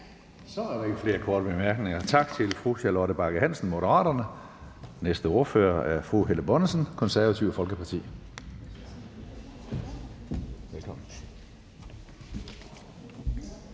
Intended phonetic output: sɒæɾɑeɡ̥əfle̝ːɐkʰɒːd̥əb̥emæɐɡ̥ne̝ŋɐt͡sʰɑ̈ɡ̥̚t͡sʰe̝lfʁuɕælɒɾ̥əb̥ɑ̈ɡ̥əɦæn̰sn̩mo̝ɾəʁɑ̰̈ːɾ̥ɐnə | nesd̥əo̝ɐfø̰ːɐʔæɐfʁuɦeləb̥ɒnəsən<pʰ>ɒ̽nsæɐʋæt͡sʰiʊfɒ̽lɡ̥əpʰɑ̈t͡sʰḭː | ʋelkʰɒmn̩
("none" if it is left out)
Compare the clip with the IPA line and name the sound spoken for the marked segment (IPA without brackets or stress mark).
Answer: kʰ